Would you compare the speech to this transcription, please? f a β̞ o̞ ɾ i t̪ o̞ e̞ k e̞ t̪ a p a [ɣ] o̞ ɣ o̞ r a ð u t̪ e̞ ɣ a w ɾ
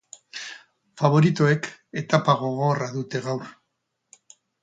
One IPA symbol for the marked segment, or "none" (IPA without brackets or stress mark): ɣ